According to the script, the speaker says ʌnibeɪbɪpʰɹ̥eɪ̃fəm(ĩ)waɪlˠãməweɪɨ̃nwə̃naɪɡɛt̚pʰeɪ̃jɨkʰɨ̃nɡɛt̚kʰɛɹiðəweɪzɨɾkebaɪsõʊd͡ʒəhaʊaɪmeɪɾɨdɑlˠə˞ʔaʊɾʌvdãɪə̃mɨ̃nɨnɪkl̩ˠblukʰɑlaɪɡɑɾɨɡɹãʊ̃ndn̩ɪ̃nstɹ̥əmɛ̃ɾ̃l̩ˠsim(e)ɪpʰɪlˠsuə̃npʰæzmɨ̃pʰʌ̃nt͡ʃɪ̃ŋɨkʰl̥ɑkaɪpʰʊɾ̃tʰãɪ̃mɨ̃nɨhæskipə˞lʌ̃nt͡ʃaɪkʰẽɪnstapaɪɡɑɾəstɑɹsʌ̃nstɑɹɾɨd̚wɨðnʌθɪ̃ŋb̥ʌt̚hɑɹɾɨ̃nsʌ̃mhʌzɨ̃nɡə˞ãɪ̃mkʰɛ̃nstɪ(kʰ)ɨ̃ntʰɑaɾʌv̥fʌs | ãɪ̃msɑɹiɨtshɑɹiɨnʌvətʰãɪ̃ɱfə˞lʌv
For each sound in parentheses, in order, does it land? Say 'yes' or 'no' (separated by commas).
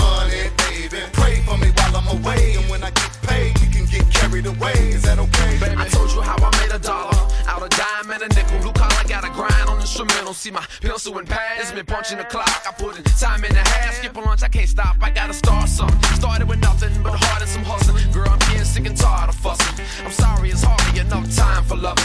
no, no, no